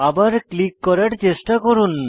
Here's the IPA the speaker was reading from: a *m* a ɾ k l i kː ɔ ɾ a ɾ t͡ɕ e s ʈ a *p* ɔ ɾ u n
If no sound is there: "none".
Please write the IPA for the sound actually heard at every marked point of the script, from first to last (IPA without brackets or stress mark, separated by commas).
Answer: b, k